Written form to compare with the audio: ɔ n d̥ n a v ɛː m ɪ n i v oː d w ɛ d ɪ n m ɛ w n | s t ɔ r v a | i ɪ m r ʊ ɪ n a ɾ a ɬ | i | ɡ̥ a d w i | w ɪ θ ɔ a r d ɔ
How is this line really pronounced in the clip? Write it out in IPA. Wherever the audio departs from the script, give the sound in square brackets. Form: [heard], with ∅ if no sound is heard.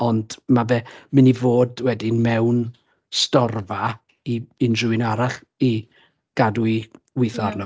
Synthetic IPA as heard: ɔ n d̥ [m] a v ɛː m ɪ n i v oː d w ɛ d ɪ n m ɛ w n | s t ɔ r v a | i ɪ [n] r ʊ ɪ n a ɾ a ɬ | i | ɡ̥ a d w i | w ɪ θ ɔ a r [n] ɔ